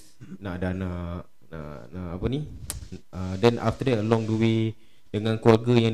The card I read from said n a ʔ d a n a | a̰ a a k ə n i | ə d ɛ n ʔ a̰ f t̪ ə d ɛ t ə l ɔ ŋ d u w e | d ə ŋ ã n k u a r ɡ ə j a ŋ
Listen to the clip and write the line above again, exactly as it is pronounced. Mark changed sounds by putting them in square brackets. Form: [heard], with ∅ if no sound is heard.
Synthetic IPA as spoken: n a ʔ d a n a | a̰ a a [p] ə n i | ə d ɛ n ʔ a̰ f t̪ ə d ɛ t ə l ɔ ŋ d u w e | d ə ŋ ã n k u a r ɡ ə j a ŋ